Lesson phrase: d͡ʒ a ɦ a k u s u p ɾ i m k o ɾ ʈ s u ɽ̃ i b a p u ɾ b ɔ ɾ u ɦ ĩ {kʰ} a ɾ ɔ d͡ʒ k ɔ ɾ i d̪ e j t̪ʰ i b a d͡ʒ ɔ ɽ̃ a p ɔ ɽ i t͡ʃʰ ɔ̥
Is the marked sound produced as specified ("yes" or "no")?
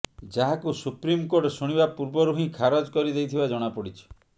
yes